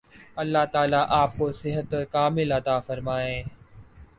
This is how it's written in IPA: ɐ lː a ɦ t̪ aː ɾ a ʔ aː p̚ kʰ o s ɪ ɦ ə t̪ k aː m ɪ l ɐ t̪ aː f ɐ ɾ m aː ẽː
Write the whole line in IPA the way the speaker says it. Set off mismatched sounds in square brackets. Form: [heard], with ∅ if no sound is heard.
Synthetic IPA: ɐ lː a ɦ t̪ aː [l] a ʔ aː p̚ [k] o s ɪ ɦ ə t̪ k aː m ɪ l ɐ t̪ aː f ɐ ɾ m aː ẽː